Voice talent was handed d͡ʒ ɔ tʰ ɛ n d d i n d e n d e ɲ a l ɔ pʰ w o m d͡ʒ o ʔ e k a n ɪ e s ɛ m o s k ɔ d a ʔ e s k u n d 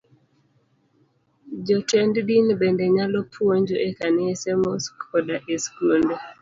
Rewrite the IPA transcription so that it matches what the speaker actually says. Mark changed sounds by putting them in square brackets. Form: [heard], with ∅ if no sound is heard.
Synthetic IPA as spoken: d͡ʒ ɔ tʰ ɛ n d d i n [b] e n d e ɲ a l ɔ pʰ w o [ɲ] d͡ʒ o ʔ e k a n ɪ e s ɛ m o s k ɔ d a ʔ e s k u n d